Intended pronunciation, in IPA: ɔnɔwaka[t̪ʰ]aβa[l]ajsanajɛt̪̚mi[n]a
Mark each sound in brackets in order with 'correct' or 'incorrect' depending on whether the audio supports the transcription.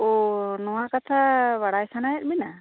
correct, incorrect: ɽ, correct

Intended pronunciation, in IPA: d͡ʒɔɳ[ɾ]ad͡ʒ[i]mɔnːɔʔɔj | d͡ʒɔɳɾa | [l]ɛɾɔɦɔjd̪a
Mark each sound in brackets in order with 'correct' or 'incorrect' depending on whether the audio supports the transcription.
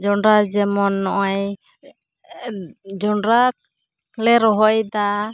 correct, incorrect: ɛ, correct

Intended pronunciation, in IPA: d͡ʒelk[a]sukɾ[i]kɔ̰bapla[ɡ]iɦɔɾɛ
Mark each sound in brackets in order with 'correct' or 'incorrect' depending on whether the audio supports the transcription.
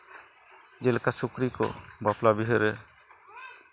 correct, correct, incorrect: b

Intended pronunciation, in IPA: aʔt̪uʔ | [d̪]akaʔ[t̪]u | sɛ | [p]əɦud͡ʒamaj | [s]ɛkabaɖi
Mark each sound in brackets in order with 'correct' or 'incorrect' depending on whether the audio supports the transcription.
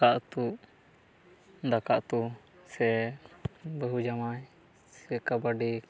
correct, correct, incorrect: b, correct

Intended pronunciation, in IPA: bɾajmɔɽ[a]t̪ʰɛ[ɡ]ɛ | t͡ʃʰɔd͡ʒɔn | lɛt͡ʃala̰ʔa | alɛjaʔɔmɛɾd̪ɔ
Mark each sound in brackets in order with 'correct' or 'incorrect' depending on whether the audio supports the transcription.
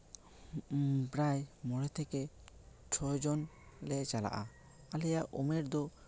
incorrect: ɛ, incorrect: k

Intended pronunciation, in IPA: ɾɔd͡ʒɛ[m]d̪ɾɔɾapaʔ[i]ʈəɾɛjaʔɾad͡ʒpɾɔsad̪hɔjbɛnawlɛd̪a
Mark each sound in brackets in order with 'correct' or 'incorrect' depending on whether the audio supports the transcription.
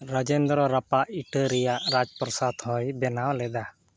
incorrect: n, correct

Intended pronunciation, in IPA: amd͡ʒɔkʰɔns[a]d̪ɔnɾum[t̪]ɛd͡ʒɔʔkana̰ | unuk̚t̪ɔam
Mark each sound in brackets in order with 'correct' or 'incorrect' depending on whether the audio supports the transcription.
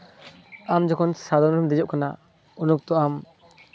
correct, incorrect: d̪

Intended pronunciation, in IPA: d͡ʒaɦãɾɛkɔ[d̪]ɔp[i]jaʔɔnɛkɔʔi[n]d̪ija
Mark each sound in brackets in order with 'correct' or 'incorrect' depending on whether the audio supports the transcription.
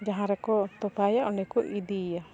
incorrect: t̪, incorrect: a, incorrect: none

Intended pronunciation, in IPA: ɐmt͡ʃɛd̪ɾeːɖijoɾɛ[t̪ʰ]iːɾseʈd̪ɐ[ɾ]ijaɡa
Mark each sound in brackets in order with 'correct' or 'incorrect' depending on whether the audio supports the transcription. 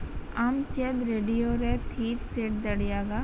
correct, incorrect: ɽ

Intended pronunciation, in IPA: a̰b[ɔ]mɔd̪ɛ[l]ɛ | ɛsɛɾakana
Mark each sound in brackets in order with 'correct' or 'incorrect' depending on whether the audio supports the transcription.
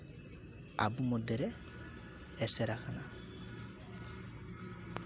incorrect: u, incorrect: ɾ

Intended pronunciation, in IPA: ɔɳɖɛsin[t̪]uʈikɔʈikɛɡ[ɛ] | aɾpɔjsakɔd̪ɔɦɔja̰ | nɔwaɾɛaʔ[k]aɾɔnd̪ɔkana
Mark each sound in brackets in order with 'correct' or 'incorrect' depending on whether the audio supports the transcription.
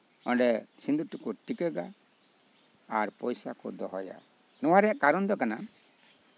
incorrect: d̪, incorrect: a, correct

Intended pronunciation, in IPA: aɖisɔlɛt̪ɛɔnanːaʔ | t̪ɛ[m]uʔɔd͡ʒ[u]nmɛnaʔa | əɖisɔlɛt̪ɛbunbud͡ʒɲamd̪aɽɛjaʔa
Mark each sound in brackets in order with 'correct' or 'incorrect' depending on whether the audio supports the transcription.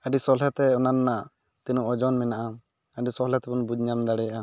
incorrect: n, incorrect: ɔ

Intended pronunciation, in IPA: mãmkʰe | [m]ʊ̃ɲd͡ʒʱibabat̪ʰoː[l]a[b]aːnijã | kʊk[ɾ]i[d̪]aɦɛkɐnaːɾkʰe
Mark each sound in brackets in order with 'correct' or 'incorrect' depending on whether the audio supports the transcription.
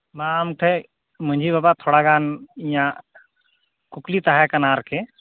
correct, incorrect: ɽ, incorrect: ɡ, incorrect: l, incorrect: t̪

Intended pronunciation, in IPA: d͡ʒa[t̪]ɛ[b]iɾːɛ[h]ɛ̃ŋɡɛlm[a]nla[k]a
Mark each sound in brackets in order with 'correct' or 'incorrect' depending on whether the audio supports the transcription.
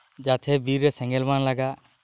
incorrect: t̪ʰ, correct, incorrect: s, correct, incorrect: ɡ

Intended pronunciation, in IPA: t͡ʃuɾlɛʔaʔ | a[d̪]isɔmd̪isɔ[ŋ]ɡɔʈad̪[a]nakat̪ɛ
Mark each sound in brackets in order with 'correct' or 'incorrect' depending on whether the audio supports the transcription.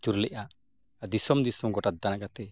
correct, incorrect: m, correct

